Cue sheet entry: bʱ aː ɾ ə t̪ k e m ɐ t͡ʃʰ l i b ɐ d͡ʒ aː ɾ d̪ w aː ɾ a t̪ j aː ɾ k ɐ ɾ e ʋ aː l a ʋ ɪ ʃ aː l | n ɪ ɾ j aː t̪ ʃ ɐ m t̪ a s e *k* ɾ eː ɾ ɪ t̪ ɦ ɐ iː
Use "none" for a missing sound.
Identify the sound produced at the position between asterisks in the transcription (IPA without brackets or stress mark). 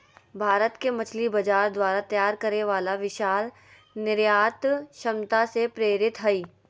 p